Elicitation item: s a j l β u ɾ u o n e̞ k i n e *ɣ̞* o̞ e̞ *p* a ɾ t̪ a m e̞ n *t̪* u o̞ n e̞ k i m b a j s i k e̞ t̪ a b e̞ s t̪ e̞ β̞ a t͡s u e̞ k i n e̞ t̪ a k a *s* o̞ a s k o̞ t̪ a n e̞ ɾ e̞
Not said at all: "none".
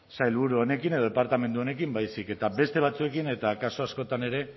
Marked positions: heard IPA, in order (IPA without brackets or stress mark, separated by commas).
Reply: ð̞, p, d̪, s